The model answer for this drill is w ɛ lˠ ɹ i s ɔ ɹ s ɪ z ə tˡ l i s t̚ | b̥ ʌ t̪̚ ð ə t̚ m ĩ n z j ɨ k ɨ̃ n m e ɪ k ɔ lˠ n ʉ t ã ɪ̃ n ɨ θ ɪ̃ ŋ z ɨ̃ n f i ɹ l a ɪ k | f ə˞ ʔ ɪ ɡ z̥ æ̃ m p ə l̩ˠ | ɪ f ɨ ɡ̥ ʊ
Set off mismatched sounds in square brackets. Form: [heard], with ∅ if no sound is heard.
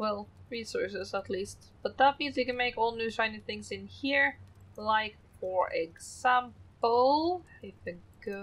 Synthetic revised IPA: w ɛ lˠ ɹ i s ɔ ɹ s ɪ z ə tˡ l i s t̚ | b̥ ʌ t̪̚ ð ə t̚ m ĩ n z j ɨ k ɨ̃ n m e ɪ k ɔ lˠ n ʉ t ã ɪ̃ n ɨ θ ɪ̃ ŋ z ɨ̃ n [h] i ɹ l a ɪ k | f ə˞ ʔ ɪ ɡ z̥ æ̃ m p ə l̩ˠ | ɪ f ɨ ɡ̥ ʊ